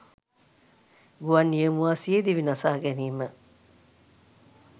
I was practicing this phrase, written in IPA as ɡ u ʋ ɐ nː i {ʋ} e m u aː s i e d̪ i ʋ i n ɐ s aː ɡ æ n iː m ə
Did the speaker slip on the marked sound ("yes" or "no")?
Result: yes